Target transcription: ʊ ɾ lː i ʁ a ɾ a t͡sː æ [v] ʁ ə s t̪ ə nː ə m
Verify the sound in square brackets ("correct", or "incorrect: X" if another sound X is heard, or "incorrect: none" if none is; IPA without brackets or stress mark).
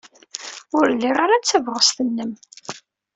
correct